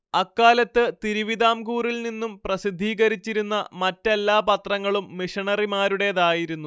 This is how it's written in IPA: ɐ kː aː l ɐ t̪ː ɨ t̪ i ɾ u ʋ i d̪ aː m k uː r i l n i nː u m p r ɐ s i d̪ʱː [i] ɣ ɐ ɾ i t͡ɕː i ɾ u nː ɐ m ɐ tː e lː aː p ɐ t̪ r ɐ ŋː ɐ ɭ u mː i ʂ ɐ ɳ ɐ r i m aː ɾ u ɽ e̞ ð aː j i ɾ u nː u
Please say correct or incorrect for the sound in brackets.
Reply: incorrect